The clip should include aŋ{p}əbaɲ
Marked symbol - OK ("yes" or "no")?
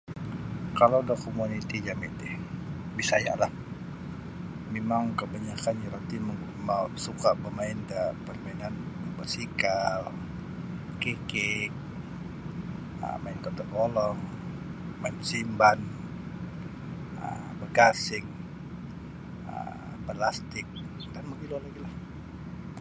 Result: no